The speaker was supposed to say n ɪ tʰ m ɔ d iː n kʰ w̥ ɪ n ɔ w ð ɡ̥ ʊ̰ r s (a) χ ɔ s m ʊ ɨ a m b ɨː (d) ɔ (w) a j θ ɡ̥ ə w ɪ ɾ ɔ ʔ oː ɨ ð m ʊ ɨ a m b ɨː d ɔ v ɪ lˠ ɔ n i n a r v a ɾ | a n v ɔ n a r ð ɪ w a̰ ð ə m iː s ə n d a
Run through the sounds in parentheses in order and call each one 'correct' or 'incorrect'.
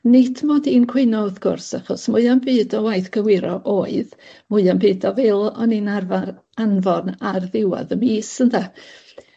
correct, correct, correct

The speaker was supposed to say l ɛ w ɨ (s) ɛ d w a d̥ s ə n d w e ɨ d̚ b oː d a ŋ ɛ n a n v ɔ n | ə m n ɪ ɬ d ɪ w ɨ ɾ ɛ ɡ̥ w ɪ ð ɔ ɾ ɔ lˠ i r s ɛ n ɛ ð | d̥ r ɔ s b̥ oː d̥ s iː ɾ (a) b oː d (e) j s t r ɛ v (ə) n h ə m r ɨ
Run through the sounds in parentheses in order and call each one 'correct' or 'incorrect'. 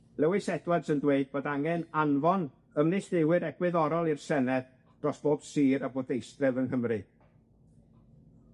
correct, correct, correct, correct

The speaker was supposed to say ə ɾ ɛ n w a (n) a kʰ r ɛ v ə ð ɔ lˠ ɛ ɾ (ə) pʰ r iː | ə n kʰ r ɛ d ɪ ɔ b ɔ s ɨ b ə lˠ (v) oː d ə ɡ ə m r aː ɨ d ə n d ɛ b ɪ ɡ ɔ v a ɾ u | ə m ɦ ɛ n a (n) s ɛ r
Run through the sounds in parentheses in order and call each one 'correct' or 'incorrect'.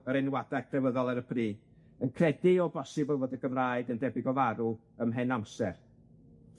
incorrect: d, correct, correct, incorrect: m

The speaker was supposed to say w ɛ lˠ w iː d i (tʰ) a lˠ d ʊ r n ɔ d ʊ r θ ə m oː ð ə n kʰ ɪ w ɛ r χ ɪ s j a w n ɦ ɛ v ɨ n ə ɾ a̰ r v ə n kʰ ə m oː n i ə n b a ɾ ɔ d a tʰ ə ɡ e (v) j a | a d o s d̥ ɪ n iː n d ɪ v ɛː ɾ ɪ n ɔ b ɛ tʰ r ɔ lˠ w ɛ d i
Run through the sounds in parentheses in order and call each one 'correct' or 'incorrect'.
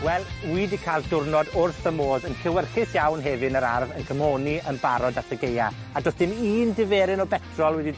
incorrect: kʰ, incorrect: none

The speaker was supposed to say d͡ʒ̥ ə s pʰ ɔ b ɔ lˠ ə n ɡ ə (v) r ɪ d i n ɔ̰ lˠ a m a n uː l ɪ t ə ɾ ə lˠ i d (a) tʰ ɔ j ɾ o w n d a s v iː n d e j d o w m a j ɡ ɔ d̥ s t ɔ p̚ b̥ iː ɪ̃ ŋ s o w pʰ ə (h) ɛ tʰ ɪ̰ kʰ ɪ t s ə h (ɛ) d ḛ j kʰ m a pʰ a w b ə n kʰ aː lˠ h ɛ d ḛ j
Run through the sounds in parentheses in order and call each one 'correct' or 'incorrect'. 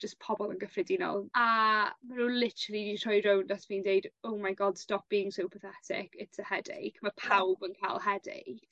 incorrect: f, incorrect: i, incorrect: θ, correct

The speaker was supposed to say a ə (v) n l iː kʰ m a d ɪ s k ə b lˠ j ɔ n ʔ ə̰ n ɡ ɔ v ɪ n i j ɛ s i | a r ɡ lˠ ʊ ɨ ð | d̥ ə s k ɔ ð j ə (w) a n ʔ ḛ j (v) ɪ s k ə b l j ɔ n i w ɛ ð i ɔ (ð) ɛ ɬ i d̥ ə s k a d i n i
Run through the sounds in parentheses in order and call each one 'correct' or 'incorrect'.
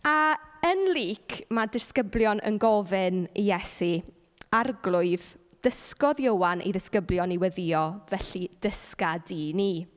incorrect: none, correct, incorrect: ð, incorrect: v

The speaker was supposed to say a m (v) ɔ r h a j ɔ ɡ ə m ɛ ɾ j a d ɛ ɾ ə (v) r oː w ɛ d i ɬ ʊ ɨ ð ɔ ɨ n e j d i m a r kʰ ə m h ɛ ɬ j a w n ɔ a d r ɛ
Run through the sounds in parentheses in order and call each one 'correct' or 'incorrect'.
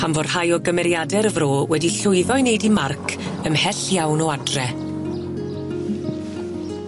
correct, correct

